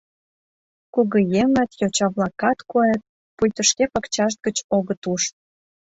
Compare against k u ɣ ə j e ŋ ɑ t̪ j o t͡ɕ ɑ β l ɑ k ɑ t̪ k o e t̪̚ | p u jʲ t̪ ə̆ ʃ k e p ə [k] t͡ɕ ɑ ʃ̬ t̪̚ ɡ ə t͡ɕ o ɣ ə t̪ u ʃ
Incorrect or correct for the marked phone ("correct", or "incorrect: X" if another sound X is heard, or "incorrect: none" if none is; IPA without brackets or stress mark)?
correct